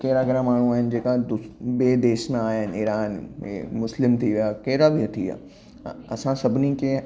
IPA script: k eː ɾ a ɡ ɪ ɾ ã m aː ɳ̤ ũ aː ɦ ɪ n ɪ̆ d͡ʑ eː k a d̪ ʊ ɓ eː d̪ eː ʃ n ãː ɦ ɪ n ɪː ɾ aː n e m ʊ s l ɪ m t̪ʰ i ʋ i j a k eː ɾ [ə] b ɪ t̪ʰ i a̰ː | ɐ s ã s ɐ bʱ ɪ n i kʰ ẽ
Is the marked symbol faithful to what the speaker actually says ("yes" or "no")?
no